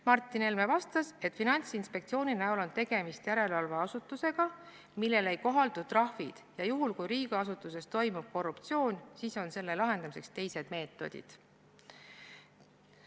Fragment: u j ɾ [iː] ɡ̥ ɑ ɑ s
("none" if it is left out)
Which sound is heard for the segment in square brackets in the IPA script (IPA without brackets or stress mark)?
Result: iː